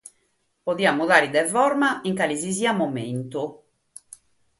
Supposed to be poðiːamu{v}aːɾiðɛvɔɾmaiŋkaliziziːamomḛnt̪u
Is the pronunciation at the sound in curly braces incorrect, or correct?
incorrect